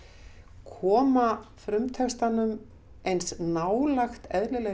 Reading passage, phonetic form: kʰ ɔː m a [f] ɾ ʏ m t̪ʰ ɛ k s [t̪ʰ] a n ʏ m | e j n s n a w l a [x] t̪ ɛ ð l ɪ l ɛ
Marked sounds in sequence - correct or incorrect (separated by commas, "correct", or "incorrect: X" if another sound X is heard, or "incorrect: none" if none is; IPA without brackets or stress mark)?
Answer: correct, incorrect: t̪, correct